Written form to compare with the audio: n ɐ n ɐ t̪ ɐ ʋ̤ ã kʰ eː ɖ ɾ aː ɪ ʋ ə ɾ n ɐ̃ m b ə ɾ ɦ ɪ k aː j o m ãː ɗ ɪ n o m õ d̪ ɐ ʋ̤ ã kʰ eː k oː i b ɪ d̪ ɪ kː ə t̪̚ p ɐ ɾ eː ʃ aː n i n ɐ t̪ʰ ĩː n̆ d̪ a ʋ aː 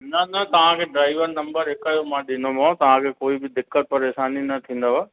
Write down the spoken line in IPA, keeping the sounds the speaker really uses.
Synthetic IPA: n ɐ n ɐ t̪ ɐ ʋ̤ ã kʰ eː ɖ ɾ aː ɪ ʋ ə ɾ n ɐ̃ m b ə ɾ ɦ ɪ k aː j o m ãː ɗ ɪ n o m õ t̪ ɐ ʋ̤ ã kʰ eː k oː i b ɪ d̪ ɪ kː ə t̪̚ p ɐ ɾ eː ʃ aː n i n ɐ t̪ʰ ĩː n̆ d̪ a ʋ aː